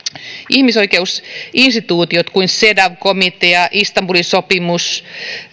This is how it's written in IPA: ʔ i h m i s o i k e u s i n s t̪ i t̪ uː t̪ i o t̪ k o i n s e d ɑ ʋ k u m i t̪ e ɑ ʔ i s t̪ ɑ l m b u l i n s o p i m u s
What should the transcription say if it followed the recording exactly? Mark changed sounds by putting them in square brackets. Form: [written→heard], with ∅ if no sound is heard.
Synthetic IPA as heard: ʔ i h m i s o i k e u s i n s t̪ i t̪ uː t̪ i o t̪ k [o→u] i n s e d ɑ ʋ k [u→o] m i t̪ e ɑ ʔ i s t̪ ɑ [l→∅] m b u l i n s o p i m u s